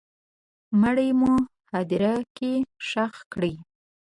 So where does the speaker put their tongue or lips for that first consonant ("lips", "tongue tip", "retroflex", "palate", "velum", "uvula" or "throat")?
lips